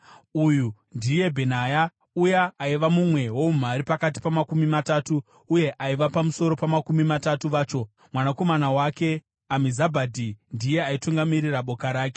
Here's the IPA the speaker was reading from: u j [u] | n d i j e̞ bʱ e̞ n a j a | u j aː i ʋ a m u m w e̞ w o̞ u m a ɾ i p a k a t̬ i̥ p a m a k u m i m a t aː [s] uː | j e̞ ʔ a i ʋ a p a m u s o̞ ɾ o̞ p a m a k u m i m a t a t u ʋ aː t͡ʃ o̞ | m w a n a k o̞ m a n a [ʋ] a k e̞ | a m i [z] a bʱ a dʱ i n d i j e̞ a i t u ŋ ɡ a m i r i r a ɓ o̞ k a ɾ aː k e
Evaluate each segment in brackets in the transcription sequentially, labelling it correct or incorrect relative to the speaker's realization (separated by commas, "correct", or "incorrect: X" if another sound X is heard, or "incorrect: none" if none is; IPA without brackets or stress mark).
correct, incorrect: t, incorrect: w, correct